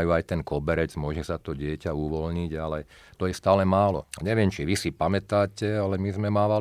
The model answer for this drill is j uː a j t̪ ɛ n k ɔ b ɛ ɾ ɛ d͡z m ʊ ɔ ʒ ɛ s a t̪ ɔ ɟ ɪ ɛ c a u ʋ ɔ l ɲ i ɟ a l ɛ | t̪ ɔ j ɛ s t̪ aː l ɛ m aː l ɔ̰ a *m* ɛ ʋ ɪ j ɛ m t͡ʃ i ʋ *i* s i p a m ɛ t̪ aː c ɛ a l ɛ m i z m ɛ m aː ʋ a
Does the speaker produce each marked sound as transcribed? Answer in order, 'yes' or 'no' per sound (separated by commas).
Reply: no, yes